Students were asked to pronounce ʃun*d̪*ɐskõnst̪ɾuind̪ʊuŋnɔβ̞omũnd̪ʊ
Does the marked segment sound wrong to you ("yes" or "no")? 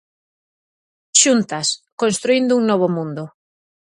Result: yes